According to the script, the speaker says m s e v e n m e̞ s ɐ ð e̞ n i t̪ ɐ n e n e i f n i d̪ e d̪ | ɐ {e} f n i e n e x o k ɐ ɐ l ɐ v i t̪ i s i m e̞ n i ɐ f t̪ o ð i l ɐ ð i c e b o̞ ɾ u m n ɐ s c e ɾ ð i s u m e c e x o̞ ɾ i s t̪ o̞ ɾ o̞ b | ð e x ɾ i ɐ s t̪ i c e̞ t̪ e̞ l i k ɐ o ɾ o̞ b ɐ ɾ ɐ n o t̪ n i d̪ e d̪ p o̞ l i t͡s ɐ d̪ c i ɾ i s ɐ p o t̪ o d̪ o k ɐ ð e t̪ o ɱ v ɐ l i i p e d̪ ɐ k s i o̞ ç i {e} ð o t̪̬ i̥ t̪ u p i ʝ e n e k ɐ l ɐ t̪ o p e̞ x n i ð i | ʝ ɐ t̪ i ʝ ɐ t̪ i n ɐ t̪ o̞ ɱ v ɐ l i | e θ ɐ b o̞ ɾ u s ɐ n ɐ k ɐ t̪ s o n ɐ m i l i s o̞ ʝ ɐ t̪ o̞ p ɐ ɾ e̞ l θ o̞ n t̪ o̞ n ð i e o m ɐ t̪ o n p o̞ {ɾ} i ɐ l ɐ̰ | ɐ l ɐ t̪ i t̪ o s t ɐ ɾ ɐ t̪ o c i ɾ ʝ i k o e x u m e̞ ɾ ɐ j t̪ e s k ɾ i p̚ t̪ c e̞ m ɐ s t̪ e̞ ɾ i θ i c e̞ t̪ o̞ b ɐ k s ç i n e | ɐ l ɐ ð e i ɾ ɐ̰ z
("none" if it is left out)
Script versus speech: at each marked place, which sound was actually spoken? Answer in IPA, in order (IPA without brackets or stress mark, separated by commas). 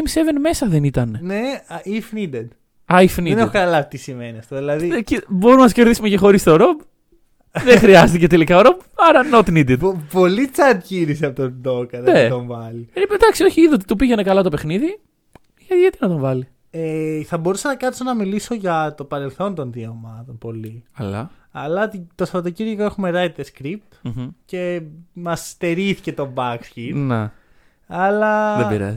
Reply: i, i, l